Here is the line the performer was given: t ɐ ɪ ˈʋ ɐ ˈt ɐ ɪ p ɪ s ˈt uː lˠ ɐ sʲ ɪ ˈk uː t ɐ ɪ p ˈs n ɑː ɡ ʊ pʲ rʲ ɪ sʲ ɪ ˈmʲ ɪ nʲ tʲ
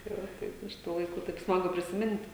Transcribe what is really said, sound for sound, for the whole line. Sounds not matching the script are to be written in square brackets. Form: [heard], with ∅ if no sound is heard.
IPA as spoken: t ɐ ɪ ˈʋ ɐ ˈt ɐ ɪ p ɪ [ʃ] ˈt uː lˠ ɐ [∅] ɪ ˈk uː t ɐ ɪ p ˈs [m] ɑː ɡ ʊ pʲ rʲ ɪ sʲ ɪ ˈmʲ ɪ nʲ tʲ